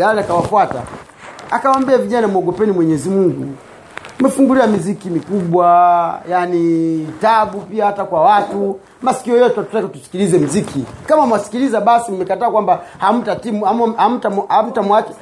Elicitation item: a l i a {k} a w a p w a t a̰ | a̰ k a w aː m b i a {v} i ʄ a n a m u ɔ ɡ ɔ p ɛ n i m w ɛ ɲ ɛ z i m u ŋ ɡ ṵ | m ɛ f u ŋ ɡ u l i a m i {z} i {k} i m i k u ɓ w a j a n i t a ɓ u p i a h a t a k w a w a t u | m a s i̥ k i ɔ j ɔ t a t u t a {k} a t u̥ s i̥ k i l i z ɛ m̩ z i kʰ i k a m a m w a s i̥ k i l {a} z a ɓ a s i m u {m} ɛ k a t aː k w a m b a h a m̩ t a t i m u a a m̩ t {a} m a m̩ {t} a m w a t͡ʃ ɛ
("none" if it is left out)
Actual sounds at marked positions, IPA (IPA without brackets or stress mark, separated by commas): k, v, z, k, k, i, m, a, t